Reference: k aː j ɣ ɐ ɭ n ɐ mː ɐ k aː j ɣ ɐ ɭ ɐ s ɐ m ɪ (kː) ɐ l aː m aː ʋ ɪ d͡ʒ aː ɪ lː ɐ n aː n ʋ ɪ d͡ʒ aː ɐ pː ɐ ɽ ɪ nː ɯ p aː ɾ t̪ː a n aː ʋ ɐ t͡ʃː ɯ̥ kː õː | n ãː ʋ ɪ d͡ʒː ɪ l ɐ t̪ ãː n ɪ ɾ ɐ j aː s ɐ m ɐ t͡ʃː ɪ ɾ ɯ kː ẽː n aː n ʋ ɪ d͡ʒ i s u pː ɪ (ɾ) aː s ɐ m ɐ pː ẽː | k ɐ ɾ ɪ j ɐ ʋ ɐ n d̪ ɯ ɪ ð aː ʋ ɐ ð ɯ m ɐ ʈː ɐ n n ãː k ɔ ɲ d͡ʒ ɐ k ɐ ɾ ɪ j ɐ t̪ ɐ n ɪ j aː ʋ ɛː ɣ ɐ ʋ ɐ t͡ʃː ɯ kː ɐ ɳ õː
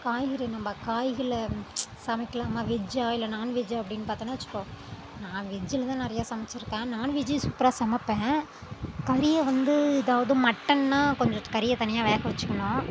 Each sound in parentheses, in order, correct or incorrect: correct, correct

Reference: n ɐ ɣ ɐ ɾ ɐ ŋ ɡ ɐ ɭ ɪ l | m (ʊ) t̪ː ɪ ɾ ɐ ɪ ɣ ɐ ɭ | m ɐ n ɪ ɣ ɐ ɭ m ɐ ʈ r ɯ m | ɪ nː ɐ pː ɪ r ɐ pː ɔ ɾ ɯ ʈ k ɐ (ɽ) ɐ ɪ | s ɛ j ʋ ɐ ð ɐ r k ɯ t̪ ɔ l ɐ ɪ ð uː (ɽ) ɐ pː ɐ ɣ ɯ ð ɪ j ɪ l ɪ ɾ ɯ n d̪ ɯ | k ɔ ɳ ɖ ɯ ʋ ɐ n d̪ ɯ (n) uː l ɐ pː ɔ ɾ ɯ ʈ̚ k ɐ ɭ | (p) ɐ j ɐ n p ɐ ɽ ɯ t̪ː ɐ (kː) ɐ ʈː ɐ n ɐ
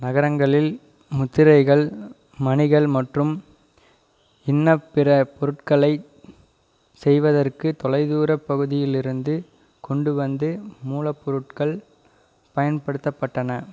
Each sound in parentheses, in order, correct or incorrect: correct, incorrect: ɭ, incorrect: ɾ, incorrect: m, correct, incorrect: pː

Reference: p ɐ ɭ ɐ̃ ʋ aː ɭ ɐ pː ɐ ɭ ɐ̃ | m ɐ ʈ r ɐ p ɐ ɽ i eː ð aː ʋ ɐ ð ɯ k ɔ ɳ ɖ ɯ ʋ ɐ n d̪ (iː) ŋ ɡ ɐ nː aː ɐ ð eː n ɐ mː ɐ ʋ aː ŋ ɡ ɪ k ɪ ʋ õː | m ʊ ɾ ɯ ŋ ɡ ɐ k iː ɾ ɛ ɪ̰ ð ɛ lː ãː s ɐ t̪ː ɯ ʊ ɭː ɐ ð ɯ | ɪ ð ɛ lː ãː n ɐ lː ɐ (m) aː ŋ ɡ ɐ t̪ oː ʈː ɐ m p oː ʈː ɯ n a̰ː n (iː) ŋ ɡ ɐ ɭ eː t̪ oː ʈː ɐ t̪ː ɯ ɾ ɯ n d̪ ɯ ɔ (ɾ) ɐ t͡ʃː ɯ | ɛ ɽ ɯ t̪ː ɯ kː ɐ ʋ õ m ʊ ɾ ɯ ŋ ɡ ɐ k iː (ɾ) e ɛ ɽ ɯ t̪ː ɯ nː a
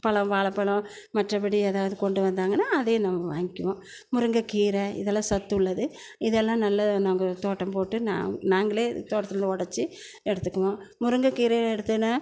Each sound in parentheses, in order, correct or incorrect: incorrect: aː, incorrect: n, incorrect: aː, incorrect: ɽ, correct

